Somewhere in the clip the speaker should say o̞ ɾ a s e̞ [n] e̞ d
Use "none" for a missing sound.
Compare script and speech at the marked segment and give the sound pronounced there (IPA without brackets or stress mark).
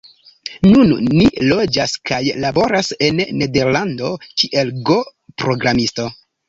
nː